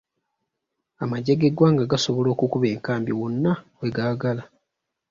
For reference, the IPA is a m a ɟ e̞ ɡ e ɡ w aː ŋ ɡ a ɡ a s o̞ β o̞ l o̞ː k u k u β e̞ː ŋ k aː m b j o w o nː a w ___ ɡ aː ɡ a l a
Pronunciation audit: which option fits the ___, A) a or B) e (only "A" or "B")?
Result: B